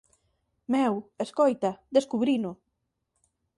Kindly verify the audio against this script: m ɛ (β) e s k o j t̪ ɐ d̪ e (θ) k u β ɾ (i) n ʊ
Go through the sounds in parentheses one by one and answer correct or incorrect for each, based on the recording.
incorrect: w, incorrect: s, correct

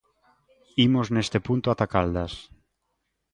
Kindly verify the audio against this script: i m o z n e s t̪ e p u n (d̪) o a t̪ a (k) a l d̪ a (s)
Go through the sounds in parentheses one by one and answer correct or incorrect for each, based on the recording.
incorrect: t̪, correct, correct

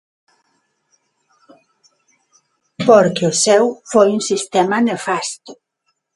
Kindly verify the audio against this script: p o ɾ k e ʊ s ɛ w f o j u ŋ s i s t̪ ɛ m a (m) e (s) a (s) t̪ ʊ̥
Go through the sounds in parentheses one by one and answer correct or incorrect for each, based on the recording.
incorrect: n, incorrect: f, correct

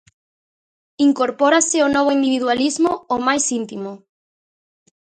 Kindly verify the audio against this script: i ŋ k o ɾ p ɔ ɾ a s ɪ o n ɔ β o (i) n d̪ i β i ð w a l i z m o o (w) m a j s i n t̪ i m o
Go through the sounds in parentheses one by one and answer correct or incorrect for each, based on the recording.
correct, incorrect: none

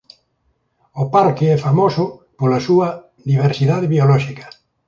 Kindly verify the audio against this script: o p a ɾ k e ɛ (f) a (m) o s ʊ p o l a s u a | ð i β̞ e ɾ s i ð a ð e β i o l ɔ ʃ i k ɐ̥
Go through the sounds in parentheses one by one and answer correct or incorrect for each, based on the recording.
correct, correct

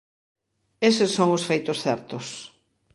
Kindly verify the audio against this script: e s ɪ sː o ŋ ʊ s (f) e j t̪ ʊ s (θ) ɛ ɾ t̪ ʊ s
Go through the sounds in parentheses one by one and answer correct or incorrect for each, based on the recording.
correct, correct

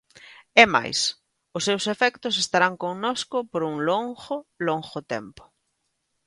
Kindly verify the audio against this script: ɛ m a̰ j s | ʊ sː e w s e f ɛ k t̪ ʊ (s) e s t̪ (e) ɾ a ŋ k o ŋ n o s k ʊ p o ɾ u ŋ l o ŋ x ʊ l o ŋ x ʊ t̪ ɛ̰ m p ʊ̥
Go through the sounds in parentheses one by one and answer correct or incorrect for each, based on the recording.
correct, incorrect: a

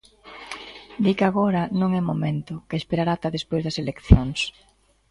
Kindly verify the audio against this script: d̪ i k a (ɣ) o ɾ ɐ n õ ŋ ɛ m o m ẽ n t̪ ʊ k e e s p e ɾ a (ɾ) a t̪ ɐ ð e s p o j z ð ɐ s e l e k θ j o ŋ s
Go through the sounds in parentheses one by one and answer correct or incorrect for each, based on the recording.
correct, correct

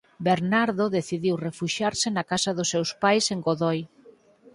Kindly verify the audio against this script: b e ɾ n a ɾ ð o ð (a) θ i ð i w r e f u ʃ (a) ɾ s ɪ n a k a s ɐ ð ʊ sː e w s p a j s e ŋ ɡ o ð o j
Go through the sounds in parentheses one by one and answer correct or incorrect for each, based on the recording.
incorrect: e, correct

